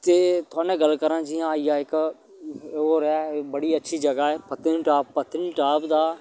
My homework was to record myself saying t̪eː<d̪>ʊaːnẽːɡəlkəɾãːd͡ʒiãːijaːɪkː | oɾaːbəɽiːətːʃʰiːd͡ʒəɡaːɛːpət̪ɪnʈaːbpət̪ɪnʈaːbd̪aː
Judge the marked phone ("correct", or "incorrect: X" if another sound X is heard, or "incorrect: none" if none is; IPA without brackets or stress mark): incorrect: t̪